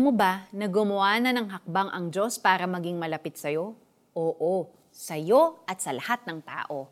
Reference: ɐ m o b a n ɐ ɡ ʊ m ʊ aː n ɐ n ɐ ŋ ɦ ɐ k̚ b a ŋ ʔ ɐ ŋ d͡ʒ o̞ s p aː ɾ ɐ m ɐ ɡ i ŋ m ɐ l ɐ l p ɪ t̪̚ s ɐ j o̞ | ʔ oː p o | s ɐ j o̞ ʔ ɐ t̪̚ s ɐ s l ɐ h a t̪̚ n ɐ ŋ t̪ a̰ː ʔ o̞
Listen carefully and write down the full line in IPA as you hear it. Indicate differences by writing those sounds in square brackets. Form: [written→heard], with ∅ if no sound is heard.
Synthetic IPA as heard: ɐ m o b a n ɐ ɡ ʊ m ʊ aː n ɐ n ɐ ŋ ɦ ɐ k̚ b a ŋ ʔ ɐ ŋ d͡ʒ o̞ s p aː ɾ ɐ m ɐ ɡ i ŋ m ɐ l ɐ [l→∅] p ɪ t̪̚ s ɐ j o̞ | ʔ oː [p→ʔ] o | s ɐ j o̞ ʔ ɐ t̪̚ s ɐ [s→∅] l ɐ h a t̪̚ n ɐ ŋ t̪ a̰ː ʔ o̞